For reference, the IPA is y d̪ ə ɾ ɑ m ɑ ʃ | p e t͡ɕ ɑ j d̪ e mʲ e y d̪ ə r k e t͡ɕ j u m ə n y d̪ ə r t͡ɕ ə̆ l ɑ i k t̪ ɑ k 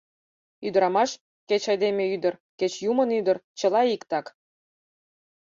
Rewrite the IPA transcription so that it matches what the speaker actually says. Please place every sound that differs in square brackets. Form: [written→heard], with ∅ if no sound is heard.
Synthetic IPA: y d̪ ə ɾ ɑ m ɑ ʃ | [p→k] e t͡ɕ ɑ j d̪ e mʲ e y d̪ ə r k e t͡ɕ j u m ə n y d̪ ə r t͡ɕ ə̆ l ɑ i k t̪ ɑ k

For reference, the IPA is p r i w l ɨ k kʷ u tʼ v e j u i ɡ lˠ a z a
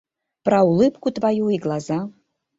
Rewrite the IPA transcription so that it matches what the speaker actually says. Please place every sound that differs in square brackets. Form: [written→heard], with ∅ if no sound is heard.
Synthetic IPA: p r [i→a] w l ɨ [k→p] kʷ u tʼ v [e→a] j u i ɡ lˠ a z a

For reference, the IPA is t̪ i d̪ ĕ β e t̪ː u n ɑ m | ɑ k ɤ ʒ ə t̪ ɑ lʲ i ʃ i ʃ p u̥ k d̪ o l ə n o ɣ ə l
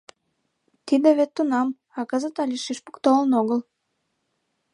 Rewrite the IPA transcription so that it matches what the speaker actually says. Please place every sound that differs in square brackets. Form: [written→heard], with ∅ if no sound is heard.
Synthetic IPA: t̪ i d̪ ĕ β e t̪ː u n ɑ m | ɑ k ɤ [ʒ→z] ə t̪ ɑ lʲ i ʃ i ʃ p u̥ k [d̪→t̪] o l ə n o ɣ ə l

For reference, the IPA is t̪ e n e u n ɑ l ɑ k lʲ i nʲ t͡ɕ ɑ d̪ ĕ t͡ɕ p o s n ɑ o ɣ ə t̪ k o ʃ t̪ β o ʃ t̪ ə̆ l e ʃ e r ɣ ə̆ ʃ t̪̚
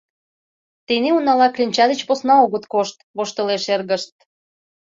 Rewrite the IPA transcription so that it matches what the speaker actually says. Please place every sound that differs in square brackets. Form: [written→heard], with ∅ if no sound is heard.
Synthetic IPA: t̪ e n e u n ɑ l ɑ k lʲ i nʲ t͡ɕ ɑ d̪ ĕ t͡ɕ p o s n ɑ o ɣ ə t̪ k o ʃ t̪ β o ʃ t̪ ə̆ l e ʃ e r ɣ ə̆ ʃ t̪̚

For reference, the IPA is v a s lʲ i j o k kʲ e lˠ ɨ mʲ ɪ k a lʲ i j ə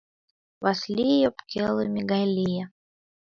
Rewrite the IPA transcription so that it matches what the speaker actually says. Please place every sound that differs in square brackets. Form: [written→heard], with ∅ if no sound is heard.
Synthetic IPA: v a s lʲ i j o [k→p] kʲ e lˠ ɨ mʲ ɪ [k→ɡ] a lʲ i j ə

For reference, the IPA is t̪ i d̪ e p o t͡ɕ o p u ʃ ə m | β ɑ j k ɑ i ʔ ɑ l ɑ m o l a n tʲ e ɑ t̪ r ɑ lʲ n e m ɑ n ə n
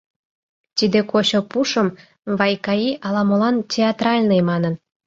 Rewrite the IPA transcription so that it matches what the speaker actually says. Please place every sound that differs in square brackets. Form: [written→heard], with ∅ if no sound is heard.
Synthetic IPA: t̪ i d̪ e [p→k] o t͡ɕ o p u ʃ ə m | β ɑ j k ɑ i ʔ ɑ l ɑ m o l [a→ɑ] n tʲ e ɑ t̪ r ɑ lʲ n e m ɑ n ə n

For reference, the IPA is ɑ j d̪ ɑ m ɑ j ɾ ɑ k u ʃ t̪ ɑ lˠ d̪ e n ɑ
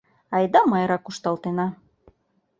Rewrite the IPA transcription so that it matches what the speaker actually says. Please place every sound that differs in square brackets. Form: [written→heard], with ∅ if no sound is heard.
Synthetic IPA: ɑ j d̪ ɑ m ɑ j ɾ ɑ k u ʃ t̪ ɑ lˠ [d̪→t̪] e n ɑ

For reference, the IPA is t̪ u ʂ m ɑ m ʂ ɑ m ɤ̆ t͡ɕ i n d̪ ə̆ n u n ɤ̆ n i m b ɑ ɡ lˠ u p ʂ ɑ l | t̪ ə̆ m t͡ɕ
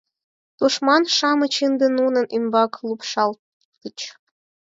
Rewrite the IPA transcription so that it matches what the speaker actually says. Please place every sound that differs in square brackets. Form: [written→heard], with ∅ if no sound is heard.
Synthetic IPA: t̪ u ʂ m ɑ [m→n] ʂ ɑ m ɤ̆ t͡ɕ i n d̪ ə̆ n u n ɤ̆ n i m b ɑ [ɡ→k] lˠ u p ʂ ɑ l | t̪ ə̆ [m→∅] t͡ɕ

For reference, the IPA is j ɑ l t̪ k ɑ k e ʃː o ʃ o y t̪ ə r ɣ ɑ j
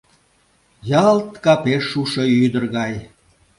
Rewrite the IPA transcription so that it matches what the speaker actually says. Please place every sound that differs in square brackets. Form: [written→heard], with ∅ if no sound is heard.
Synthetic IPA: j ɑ l t̪ k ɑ [k→p] e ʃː [o→u] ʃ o y [t̪→d̪] ə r ɣ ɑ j

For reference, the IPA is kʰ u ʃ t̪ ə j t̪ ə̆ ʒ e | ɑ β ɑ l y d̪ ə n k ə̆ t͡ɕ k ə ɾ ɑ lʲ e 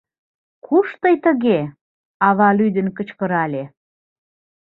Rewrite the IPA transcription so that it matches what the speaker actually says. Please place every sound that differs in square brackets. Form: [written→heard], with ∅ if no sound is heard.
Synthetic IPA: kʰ u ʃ t̪ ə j t̪ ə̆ [ʒ→ɣ] e | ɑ β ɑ l y d̪ ə n k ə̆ t͡ɕ k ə ɾ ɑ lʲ e

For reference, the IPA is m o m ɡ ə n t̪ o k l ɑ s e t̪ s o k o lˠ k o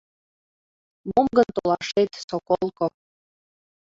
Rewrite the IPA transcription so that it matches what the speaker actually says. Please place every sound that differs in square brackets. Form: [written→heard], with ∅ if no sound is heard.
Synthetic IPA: m o m ɡ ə n t̪ o [k→∅] l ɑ [s→ʃ] e t̪ s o k o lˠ k o

